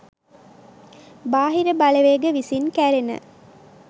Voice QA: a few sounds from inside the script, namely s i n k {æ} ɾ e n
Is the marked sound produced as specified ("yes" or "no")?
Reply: yes